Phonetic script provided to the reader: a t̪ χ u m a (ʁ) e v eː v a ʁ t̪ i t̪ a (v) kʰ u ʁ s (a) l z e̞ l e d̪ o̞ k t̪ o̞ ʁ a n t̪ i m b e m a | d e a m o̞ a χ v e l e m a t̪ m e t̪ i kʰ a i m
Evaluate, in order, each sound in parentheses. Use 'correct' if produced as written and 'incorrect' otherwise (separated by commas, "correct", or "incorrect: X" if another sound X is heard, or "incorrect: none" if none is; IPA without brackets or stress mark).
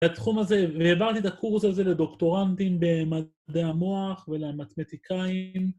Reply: incorrect: z, incorrect: none, correct